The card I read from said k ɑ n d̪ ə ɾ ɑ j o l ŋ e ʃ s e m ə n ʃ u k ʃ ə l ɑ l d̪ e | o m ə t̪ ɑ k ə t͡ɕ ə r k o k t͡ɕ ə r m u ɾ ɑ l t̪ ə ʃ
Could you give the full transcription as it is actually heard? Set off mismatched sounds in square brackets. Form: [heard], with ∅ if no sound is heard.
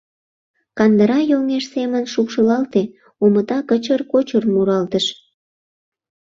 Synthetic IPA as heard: k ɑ n d̪ ə ɾ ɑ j o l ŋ e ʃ s e m ə n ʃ u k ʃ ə l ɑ l [t̪] e | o m ə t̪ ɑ k ə t͡ɕ ə r k o [∅] t͡ɕ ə r m u ɾ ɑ l t̪ ə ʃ